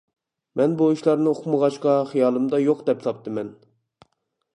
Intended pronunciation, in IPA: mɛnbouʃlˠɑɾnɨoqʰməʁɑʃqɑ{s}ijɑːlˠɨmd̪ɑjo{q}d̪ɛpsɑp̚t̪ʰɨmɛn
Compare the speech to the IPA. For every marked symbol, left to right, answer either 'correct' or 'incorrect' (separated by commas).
incorrect, correct